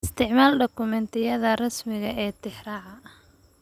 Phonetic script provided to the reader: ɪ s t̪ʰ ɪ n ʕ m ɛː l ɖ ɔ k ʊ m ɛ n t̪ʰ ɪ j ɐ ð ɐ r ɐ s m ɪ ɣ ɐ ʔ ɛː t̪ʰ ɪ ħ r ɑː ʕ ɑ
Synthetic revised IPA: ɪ s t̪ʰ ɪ ʕ m aː l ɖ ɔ k ʊ m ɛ n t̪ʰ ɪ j ɐ ð ɐ r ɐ s m ɪ ɣ ɐ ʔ ɛː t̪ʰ ɪ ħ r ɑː ʕ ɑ